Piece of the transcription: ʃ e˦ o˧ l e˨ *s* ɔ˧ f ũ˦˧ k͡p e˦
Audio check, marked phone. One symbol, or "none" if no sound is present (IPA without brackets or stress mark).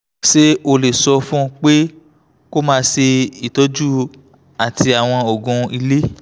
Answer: s